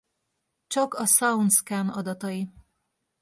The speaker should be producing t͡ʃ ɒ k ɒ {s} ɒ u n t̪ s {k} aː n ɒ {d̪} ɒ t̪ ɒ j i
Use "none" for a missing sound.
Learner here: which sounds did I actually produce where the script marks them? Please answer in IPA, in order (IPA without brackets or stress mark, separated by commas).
s, k, d̪